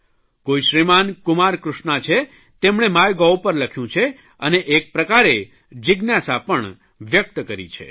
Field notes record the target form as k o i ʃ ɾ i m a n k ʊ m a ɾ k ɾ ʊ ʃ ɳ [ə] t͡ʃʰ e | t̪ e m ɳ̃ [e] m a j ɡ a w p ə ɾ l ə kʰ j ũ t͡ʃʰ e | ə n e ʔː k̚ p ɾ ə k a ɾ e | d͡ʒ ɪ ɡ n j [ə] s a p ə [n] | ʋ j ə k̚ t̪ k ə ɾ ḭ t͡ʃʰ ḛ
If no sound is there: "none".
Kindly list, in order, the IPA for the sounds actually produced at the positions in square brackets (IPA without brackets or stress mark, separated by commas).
a, e, a, ɳ